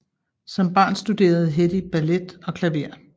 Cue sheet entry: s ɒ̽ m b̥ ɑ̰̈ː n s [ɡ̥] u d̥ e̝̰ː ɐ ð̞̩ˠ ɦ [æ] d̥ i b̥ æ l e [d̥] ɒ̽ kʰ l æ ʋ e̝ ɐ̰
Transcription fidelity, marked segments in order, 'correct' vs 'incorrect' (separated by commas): incorrect, incorrect, correct